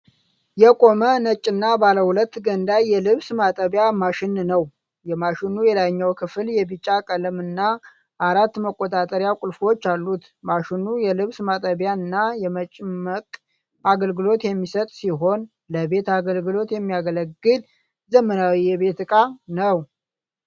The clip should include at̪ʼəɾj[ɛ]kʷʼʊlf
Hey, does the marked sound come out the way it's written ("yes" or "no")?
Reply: no